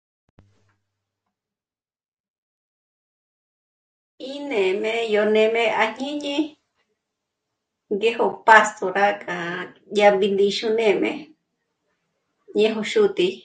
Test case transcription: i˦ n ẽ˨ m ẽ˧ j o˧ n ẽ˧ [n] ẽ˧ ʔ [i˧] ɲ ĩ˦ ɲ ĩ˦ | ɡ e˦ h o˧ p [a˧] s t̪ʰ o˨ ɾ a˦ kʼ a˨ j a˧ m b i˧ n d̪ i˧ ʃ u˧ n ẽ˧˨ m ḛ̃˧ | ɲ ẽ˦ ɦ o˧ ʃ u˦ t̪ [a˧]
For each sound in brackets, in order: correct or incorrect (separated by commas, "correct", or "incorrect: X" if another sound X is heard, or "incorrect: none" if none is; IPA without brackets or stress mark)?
incorrect: m, incorrect: a˧, correct, incorrect: i˧